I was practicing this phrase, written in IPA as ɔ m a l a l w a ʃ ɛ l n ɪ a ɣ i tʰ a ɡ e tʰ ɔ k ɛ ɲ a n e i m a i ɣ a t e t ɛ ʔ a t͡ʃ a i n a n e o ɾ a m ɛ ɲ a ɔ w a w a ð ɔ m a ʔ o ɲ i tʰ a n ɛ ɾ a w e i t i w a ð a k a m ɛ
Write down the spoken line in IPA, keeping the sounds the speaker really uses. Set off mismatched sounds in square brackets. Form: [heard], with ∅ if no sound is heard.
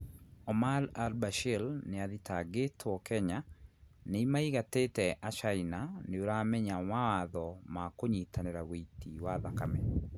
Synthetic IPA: ɔ m a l a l [b] a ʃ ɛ l n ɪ a [ð] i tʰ a ɡ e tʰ ɔ k ɛ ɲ a n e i m a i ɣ a t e t ɛ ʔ a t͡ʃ a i n a n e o ɾ a m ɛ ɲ a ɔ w a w a ð ɔ m a [k] o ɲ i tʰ a n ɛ ɾ a w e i t i w a ð a k a m ɛ